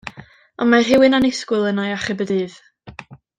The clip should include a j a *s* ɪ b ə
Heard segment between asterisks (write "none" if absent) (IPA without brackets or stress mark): χ